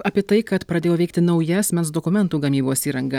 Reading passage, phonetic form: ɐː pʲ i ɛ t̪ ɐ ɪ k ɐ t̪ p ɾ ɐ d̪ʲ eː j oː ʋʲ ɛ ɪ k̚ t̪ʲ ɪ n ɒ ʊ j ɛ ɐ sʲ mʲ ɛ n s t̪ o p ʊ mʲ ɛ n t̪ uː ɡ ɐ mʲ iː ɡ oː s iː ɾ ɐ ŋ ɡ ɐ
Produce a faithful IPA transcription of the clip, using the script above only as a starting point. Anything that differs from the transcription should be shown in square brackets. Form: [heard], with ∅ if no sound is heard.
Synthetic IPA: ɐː pʲ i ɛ t̪ ɐ ɪ k ɐ t̪ p ɾ ɐ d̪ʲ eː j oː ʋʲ ɛ ɪ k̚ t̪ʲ ɪ n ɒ ʊ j ɛ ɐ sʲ mʲ ɛ n s [d̪] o [k] ʊ mʲ ɛ n t̪ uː ɡ ɐ mʲ iː [b] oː s iː ɾ ɐ ŋ ɡ ɐ